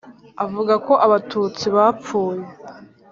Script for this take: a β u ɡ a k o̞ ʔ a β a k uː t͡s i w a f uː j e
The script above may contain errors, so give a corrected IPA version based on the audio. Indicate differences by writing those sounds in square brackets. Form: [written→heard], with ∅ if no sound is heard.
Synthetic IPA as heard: a [β→v] u ɡ a k o̞ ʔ a β a [k→t] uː t͡s i [w→β] a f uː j e